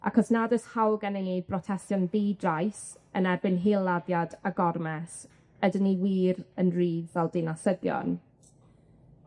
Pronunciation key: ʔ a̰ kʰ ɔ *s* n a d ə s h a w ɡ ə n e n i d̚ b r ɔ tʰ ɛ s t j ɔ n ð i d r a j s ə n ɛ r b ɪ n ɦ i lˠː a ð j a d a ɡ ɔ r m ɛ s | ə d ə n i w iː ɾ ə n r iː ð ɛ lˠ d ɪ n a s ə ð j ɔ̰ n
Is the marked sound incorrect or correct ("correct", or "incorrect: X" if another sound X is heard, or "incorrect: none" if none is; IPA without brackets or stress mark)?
correct